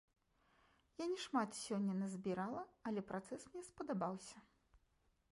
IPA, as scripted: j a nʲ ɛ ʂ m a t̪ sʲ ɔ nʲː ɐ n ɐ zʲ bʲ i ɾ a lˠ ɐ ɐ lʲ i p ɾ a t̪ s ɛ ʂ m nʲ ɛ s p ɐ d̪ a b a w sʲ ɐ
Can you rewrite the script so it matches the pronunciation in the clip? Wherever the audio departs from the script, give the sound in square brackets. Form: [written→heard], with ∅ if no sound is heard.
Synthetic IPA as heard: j a nʲ ɛ ʂ m a t̪ sʲ ɔ nʲː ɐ n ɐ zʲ bʲ i ɾ a lˠ ɐ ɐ lʲ [i→ɛ] p ɾ a t̪ s ɛ [ʂ→s] m nʲ ɛ s p ɐ d̪ a b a w sʲ ɐ